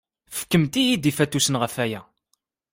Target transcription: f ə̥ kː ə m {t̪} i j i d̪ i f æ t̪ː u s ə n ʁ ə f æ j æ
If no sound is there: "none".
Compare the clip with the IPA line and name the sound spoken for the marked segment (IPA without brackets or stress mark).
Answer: t̪